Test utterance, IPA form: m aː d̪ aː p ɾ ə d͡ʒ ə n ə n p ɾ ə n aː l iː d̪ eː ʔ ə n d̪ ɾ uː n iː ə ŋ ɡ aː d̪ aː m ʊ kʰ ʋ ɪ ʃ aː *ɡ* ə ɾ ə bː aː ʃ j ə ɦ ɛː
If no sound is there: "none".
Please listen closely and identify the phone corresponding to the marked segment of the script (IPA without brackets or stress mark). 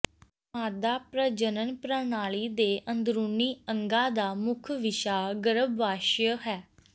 ɡ